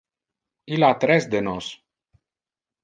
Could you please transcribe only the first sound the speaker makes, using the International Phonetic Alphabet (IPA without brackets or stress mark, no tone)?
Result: i